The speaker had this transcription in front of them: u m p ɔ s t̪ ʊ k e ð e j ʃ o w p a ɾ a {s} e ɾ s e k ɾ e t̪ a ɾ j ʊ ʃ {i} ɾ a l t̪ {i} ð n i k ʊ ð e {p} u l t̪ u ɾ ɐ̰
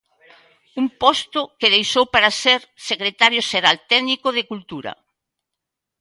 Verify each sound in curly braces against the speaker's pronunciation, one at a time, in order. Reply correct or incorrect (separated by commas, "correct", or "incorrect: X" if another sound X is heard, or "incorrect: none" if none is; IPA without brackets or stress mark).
correct, incorrect: e, incorrect: ɛ, incorrect: k